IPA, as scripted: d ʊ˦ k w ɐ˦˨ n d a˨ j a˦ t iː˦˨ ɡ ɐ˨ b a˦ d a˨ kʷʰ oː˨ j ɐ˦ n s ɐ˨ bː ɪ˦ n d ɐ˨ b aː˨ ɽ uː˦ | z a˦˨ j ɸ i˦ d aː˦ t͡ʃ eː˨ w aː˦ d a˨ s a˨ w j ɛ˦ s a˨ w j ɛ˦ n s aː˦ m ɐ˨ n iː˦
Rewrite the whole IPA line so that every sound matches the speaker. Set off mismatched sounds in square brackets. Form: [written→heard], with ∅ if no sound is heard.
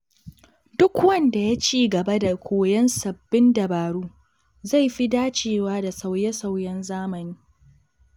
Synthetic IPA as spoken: d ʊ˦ k w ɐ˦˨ n d a˨ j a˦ [t→t͡ʃ] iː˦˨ ɡ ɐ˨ b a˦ d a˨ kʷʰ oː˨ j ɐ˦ n s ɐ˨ bː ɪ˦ n d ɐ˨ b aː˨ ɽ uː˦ | z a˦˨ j ɸ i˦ d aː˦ t͡ʃ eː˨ w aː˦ d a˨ s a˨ w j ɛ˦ s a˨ w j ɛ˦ n [s→z] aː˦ m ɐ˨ n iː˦